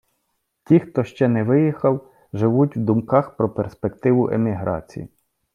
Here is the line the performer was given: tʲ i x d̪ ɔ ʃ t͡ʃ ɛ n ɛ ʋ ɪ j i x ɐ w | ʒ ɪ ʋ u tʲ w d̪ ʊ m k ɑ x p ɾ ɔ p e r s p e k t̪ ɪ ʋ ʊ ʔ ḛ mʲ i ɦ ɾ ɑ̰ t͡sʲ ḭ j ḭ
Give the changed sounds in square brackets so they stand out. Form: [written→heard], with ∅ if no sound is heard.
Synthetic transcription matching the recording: tʲ i x [d̪→t̪] ɔ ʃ t͡ʃ ɛ n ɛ ʋ ɪ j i x ɐ w | ʒ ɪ ʋ u tʲ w d̪ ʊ m k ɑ x p ɾ ɔ p e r s p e k t̪ ɪ ʋ ʊ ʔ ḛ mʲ i ɦ ɾ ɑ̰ t͡sʲ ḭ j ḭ